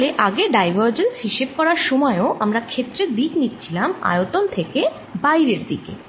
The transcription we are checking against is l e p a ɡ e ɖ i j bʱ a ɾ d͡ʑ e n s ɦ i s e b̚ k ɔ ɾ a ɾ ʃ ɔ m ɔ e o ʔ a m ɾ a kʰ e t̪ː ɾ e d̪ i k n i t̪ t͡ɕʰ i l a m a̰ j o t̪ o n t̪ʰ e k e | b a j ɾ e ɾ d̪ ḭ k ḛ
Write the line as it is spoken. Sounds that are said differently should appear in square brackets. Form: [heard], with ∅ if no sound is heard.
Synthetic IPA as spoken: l e [ʔ] a ɡ e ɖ [a] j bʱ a ɾ d͡ʑ e n s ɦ i [ʃ] e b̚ k ɔ ɾ a ɾ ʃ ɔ m ɔ e o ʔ a m ɾ a kʰ e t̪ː ɾ e d̪ i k n i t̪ t͡ɕʰ i l a m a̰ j o t̪ o n t̪ʰ e k e | b a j ɾ e ɾ d̪ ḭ k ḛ